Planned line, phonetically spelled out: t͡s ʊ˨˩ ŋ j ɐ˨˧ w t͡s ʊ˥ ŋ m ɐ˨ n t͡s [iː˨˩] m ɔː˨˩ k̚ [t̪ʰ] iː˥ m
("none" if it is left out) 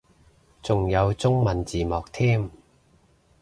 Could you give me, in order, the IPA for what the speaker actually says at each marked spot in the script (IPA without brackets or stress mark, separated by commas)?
iː˨˩, t̪ʰ